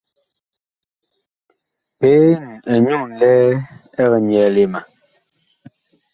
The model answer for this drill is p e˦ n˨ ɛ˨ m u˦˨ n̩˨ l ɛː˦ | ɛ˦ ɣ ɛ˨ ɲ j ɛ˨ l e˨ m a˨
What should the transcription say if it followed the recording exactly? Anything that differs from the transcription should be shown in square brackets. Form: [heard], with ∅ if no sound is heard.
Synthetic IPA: p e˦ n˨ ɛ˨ [ɲ] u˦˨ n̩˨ l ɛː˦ | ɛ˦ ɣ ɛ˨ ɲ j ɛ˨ l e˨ m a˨